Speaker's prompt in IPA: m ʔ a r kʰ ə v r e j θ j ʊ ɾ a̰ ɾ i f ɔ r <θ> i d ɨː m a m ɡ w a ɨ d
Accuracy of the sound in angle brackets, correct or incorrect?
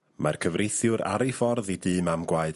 incorrect